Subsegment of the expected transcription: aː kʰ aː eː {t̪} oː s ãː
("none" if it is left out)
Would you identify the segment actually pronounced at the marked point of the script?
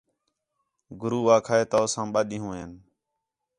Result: t̪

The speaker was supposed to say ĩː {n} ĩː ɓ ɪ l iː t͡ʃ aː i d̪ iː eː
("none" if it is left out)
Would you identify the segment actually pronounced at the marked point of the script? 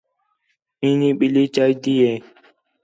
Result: n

